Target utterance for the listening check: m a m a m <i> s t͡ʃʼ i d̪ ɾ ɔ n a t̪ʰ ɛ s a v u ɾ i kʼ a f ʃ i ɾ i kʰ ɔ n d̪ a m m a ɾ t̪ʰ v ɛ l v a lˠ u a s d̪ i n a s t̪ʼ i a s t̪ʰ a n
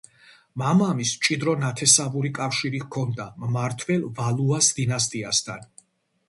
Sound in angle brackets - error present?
no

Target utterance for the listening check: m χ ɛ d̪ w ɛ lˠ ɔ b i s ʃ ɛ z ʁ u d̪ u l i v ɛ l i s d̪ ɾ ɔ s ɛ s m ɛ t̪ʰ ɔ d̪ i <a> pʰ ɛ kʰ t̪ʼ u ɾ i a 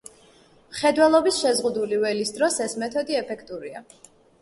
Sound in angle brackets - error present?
yes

